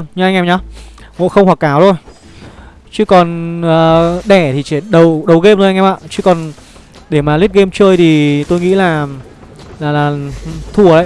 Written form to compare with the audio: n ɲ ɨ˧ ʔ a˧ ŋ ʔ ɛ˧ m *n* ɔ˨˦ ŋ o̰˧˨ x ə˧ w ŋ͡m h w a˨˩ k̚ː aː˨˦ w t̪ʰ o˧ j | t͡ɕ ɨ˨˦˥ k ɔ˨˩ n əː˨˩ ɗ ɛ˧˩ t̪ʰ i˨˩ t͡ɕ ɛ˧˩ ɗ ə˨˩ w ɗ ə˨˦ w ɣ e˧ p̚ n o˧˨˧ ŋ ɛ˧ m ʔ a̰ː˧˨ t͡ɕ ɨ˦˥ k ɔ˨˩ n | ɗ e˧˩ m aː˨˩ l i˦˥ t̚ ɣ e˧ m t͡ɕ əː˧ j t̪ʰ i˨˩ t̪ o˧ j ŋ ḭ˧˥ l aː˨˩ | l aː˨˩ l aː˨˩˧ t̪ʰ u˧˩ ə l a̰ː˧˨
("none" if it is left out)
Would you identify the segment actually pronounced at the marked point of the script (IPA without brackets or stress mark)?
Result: ɲ